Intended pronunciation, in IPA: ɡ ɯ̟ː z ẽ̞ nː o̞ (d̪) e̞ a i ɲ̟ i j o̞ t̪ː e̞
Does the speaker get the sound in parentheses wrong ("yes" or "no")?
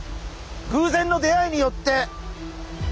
no